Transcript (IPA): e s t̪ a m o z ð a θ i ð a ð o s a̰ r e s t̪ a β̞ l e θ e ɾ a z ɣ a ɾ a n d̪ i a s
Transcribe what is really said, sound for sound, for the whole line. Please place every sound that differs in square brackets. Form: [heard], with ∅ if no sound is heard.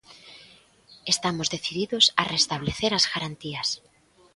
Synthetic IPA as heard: e s t̪ a m o z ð [e] θ i ð [i] ð o s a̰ r e s t̪ a β̞ l e θ e ɾ a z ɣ a ɾ a n [t̪] i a s